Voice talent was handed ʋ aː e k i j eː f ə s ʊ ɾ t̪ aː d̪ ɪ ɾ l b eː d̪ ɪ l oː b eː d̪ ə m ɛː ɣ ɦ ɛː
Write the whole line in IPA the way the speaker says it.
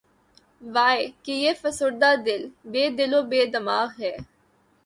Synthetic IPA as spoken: ʋ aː e k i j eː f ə s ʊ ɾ d̪ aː d̪ ɪ l b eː d̪ ɪ l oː b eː d̪ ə m aː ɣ ɦ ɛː